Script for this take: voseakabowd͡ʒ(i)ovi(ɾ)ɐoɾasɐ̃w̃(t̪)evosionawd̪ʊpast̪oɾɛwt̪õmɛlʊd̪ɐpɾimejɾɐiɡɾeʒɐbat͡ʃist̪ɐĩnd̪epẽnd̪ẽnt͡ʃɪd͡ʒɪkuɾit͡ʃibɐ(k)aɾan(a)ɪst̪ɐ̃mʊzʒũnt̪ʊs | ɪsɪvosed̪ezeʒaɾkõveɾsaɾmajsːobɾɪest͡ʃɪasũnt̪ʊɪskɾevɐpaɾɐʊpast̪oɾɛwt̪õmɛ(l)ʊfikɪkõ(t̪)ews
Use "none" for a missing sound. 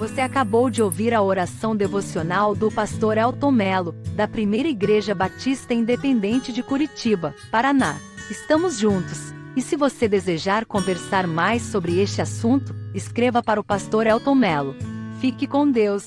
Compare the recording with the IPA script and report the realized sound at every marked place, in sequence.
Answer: ɪ, ɾ, d̪, p, a, l, d̪

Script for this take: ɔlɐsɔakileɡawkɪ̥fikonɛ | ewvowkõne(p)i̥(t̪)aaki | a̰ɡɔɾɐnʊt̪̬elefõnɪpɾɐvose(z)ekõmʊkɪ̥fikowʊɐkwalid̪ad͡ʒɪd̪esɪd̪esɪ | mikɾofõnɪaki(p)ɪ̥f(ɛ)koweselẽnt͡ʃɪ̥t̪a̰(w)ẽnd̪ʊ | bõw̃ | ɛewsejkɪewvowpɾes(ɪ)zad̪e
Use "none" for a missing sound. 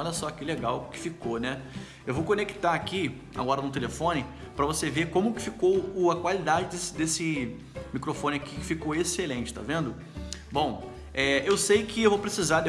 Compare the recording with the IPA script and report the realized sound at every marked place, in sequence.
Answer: k, t̪, v, k, i, v, i

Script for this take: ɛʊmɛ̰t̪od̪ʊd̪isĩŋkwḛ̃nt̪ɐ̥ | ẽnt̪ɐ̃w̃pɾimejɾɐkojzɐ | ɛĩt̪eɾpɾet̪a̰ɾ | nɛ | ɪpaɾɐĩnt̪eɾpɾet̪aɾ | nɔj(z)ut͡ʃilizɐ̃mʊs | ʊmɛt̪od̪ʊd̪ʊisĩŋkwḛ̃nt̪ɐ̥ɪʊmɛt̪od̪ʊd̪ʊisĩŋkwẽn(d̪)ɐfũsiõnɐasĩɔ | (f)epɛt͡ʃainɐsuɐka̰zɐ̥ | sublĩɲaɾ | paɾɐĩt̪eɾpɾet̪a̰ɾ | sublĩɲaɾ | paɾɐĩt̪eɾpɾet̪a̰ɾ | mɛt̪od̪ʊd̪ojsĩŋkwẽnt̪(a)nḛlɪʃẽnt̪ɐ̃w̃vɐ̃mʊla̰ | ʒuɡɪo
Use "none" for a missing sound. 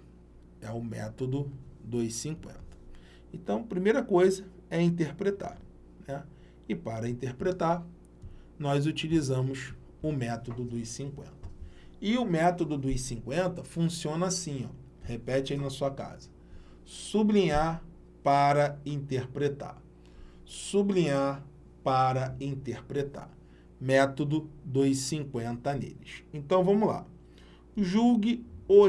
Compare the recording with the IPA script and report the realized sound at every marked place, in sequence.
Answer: z, t̪, h, ɐ

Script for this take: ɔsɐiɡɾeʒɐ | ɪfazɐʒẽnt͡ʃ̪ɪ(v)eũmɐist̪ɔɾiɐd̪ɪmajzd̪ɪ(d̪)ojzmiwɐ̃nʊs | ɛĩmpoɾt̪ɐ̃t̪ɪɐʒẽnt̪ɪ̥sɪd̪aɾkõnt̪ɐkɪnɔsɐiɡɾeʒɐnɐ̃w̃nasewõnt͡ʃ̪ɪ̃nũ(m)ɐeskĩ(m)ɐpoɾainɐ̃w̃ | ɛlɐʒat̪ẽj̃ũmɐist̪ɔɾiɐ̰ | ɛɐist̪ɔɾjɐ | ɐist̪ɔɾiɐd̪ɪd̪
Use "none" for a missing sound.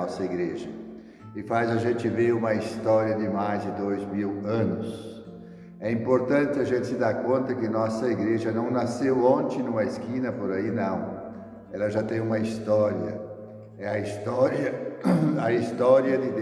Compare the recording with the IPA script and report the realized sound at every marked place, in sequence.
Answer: v, d̪, m, n

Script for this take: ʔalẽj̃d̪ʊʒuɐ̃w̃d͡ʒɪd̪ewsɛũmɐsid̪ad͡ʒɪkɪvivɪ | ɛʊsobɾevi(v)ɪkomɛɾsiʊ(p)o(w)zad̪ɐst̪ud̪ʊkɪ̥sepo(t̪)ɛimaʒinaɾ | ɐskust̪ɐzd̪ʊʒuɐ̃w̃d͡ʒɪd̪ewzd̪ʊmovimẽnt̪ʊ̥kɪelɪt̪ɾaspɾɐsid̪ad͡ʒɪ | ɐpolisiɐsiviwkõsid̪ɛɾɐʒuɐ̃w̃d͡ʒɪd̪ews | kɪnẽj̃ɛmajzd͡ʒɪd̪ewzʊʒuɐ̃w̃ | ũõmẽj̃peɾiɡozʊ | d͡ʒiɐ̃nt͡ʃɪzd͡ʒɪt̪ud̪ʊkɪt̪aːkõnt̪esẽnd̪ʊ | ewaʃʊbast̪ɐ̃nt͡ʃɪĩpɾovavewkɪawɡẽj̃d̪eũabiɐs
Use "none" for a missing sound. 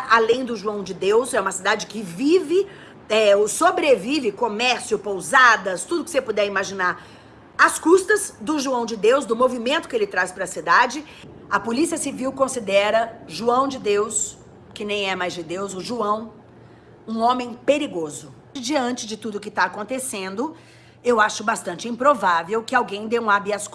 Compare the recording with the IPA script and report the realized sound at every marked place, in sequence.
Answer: v, p, w, d̪

